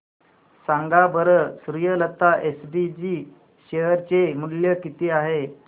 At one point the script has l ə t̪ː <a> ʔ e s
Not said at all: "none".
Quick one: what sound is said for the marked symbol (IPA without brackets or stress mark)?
a